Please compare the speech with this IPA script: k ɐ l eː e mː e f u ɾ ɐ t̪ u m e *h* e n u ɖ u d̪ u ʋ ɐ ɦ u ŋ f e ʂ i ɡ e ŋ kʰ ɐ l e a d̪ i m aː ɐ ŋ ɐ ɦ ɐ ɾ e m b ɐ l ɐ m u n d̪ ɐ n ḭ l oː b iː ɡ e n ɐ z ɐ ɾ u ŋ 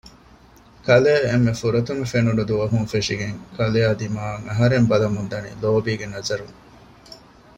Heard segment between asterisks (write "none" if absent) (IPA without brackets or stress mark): f